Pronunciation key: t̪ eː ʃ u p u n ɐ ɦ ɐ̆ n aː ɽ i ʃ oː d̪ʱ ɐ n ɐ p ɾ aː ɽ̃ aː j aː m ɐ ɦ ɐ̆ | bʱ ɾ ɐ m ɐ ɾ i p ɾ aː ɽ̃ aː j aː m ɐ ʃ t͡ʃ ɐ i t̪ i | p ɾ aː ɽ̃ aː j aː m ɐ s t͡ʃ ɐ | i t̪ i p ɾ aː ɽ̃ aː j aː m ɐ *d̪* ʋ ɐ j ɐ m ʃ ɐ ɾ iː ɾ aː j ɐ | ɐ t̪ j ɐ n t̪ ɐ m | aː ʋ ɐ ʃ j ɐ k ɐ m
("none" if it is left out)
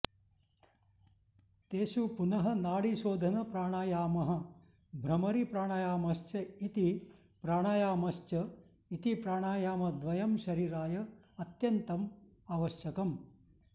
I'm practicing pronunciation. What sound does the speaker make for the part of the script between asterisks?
d̪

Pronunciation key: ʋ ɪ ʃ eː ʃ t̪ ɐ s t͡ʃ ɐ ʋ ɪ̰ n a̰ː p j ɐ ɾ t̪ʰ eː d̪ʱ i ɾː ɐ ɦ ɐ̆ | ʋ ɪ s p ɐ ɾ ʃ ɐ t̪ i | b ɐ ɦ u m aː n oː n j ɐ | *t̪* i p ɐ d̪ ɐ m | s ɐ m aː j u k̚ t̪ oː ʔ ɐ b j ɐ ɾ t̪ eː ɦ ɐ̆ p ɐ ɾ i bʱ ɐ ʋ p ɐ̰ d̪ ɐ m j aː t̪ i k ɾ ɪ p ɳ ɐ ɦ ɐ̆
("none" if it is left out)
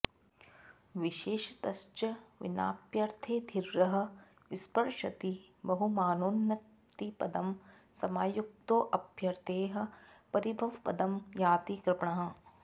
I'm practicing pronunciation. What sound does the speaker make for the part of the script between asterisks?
t̪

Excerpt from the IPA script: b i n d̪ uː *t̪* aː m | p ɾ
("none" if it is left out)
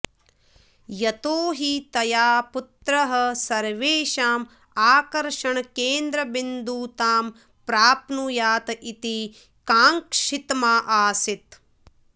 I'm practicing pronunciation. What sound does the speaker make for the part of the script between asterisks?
t̪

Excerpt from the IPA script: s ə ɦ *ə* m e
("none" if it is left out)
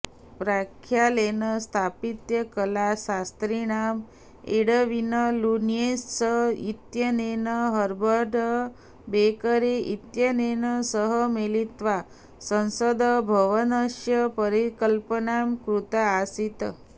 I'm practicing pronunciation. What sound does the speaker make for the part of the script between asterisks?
ə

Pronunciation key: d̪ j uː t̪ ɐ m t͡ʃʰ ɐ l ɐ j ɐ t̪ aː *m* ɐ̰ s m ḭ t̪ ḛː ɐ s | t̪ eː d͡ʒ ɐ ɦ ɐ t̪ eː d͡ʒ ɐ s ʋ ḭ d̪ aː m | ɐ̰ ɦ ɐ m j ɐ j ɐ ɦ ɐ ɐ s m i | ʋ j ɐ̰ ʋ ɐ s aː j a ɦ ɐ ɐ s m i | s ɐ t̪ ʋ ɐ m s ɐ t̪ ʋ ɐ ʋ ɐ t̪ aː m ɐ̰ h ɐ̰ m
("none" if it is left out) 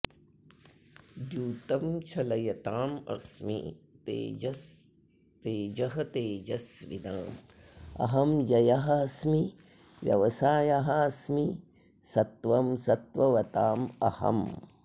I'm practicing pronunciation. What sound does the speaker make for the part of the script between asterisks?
m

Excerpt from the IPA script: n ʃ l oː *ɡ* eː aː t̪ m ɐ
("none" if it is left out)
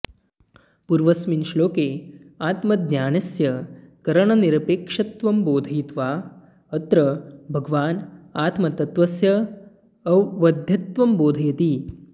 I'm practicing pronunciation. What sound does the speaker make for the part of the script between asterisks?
k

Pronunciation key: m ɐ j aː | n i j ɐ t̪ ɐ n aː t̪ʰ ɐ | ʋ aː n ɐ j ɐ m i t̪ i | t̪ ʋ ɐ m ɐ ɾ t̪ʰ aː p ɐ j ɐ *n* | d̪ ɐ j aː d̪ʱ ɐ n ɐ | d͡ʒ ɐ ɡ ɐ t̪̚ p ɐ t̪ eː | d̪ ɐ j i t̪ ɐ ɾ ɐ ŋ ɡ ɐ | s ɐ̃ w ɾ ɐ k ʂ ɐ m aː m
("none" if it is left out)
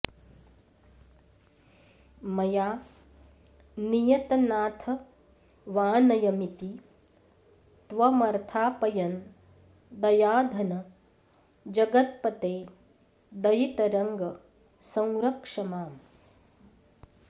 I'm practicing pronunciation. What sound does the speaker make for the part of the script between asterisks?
n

